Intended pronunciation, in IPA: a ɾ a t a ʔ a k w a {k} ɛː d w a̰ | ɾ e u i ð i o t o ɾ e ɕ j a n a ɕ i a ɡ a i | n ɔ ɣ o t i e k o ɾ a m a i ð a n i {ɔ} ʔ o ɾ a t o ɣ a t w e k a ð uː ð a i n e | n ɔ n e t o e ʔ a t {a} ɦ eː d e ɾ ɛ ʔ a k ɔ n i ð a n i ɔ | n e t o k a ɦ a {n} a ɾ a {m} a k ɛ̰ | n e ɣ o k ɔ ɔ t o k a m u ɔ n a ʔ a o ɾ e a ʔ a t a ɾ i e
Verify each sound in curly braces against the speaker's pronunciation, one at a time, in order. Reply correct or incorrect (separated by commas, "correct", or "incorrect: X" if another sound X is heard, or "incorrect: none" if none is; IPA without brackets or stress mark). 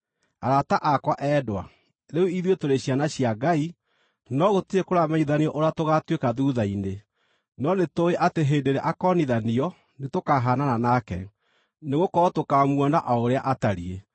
incorrect: ʔ, correct, incorrect: e, correct, incorrect: n